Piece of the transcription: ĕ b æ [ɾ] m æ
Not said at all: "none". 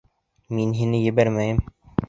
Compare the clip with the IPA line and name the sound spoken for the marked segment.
ɾ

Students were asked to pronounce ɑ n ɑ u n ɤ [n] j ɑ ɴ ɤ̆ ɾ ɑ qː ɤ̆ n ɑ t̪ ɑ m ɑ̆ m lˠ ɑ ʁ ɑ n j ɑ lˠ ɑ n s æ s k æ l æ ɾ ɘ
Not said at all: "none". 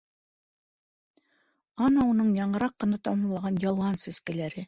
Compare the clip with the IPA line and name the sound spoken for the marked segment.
ɴ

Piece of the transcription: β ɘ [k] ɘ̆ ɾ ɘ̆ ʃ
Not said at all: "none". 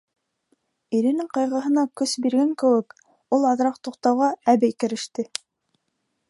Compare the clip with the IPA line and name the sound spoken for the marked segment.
k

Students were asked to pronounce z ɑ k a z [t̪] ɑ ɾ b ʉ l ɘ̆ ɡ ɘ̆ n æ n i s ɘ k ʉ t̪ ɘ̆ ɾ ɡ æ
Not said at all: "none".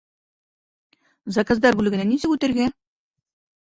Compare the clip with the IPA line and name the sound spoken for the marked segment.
d̪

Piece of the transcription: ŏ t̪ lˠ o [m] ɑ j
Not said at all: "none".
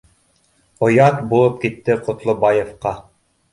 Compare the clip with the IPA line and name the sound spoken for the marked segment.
b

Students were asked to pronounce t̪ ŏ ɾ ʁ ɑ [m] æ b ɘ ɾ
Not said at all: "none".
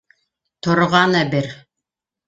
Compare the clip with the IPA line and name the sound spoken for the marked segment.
n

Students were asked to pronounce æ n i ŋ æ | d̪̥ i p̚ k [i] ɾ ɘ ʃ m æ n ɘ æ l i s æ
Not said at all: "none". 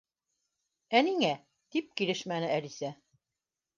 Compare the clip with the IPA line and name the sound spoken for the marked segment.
i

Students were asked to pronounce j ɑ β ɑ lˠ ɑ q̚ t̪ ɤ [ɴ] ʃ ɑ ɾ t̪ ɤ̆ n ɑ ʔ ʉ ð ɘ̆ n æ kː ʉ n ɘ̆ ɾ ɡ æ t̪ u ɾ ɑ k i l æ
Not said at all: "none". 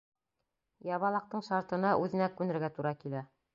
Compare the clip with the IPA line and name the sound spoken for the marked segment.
ɴ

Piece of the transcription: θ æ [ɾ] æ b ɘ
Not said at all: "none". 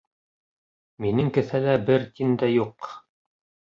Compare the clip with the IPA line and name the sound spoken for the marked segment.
l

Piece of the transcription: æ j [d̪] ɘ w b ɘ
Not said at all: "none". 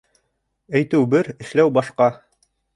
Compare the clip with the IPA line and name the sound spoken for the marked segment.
t̪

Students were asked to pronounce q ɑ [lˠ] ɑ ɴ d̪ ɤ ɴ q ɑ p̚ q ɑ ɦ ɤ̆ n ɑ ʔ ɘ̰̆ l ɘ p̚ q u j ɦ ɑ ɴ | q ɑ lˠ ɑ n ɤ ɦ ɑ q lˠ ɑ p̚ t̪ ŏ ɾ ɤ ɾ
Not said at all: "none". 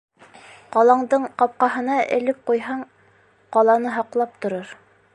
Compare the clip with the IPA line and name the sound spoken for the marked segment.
lˠ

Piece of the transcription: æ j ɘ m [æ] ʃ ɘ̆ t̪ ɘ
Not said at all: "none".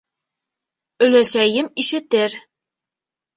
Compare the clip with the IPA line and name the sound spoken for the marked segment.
i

